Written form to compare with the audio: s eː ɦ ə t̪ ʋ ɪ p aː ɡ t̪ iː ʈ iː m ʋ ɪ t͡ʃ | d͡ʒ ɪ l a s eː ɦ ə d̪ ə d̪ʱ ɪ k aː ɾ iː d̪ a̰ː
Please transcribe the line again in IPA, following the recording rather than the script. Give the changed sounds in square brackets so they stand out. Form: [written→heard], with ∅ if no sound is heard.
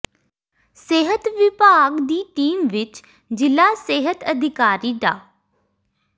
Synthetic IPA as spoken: s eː ɦ ə t̪ ʋ ɪ p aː ɡ [t̪→d̪] iː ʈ iː m ʋ ɪ t͡ʃ | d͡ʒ ɪ l a s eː ɦ ə [d̪→t̪] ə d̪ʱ ɪ k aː ɾ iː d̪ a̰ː